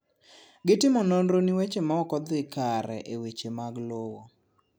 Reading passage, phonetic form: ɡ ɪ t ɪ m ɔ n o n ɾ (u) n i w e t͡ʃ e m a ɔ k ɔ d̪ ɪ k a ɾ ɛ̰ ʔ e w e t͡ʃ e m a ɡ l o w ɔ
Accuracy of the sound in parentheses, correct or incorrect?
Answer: incorrect: o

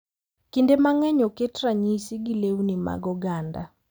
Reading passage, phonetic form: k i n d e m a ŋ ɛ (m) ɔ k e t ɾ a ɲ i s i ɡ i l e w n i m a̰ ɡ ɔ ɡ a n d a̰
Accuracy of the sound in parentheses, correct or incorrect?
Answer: incorrect: ɲ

